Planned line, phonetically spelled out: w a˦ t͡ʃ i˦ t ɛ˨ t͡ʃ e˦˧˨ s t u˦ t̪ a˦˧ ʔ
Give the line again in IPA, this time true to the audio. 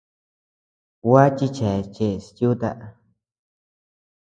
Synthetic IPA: w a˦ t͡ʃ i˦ t͡ʃ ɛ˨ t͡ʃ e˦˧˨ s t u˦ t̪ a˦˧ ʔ